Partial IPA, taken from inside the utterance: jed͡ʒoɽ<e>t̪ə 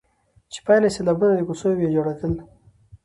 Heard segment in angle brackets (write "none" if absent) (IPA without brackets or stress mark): a